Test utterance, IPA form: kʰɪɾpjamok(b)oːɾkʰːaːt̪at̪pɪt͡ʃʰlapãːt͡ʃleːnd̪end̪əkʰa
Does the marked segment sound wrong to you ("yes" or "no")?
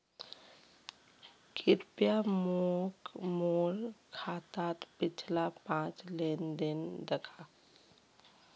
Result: yes